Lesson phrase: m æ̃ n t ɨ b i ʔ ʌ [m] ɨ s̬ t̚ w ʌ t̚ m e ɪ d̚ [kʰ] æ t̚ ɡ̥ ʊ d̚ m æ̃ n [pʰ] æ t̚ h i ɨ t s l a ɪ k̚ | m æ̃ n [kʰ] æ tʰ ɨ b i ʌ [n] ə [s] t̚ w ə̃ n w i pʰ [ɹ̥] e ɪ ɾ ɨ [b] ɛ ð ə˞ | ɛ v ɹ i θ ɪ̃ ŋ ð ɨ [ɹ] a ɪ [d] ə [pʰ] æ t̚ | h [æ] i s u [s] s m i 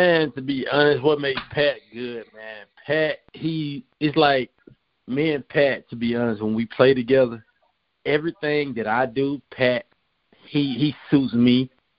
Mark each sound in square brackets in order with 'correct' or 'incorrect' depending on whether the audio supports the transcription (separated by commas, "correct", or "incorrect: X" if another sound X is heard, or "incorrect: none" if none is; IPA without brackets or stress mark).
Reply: incorrect: n, incorrect: pʰ, correct, incorrect: pʰ, correct, correct, incorrect: l̥, incorrect: ɡ, incorrect: ɾ, correct, correct, incorrect: i, incorrect: t